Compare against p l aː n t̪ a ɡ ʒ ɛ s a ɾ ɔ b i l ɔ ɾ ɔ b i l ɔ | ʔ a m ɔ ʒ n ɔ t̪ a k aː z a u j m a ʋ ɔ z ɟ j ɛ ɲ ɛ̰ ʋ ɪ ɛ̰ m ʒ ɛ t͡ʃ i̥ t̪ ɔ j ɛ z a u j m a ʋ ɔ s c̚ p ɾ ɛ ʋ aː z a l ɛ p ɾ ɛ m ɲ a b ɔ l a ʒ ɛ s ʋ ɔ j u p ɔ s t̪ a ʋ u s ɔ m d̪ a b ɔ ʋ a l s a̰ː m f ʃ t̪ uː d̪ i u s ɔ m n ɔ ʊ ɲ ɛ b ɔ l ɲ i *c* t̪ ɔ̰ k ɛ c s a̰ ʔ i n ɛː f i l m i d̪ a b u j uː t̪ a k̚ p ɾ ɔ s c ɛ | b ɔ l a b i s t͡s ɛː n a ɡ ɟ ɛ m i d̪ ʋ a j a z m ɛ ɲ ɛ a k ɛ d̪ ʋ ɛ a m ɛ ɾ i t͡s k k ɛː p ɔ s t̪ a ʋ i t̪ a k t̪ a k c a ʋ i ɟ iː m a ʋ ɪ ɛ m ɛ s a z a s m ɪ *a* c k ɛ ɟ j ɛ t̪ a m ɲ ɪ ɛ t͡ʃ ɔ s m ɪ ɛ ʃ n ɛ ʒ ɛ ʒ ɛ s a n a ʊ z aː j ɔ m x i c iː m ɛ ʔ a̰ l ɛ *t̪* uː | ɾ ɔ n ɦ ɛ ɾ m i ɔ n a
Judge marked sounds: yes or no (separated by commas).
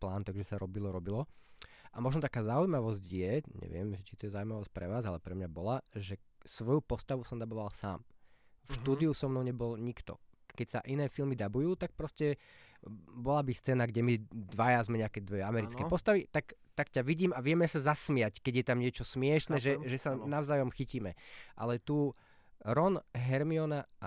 no, yes, yes